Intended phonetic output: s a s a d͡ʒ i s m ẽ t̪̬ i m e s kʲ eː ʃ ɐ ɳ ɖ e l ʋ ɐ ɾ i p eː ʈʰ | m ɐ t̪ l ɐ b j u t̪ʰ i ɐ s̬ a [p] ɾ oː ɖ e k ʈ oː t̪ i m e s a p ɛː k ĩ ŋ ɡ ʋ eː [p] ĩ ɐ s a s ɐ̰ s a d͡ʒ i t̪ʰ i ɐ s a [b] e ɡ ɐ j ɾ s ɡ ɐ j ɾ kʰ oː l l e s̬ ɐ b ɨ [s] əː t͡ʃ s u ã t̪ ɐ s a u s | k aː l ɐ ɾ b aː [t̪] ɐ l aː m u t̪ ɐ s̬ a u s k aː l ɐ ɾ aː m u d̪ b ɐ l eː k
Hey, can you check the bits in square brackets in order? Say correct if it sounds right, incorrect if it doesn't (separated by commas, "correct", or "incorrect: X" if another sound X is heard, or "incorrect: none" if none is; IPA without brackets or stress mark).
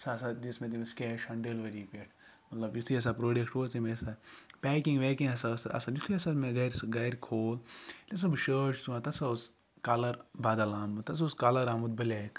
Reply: correct, incorrect: k, incorrect: m, incorrect: ʃ, incorrect: d̪